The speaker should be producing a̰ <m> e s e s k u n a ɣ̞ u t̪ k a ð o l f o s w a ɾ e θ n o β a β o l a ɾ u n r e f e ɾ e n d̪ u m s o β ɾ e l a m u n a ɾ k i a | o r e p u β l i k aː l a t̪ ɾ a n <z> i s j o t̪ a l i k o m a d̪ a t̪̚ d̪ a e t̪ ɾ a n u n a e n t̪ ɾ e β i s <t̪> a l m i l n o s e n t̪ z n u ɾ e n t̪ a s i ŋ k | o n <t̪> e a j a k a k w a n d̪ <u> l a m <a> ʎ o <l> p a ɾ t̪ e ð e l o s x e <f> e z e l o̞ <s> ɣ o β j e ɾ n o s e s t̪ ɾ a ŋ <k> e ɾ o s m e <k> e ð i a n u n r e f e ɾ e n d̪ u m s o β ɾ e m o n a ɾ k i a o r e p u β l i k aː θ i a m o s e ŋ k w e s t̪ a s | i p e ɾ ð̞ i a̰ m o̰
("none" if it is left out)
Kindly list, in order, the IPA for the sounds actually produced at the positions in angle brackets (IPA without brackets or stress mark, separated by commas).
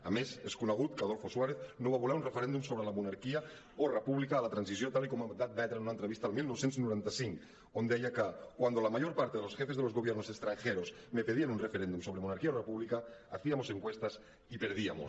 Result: m, s, t̪, d̪, o, a, ɾ, f, z, x, p